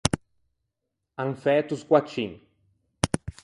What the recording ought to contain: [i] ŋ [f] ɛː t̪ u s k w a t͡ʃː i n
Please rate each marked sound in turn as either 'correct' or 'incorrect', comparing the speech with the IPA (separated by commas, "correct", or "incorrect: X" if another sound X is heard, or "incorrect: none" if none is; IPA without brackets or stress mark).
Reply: incorrect: a, correct